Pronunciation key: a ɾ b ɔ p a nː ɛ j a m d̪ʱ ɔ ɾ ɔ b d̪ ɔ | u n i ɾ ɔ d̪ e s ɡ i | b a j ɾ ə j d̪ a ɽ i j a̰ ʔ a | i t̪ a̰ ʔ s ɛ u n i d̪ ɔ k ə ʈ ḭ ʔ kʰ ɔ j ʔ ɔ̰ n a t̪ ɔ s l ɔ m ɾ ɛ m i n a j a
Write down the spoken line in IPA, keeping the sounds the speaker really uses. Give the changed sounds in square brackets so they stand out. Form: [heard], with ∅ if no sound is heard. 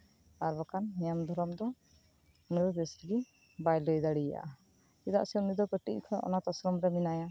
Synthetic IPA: a ɾ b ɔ [k] a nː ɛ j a m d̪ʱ ɔ ɾ ɔ [m] d̪ ɔ | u n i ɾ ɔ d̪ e s ɡ i | b a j [l] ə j d̪ a ɽ i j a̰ ʔ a | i [d̪] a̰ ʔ s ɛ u n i d̪ ɔ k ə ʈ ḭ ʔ kʰ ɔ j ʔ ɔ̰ n a t̪ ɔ s [ɾ] ɔ m ɾ ɛ m i n a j a